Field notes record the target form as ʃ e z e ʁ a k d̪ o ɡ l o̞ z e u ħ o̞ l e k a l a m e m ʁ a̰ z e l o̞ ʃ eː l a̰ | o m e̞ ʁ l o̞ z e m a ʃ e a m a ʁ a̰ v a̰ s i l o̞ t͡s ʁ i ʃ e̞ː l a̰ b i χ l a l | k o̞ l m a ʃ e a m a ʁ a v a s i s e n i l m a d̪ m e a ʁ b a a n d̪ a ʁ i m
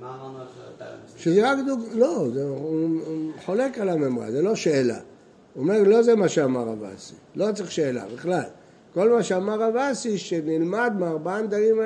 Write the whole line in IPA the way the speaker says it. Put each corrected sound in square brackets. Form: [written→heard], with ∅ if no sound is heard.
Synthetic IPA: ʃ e z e ʁ a k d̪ [o→u] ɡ l o̞ z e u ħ o̞ l e k a l a m e m ʁ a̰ z e l o̞ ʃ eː l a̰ | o m e̞ ʁ l o̞ z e m a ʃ e a m a ʁ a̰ v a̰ s i l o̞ t͡s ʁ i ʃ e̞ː l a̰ b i χ l a l | k o̞ l m a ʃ e a m a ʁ a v a s i [s→ʃ] e n i l m a d̪ m e a ʁ b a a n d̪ a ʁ i m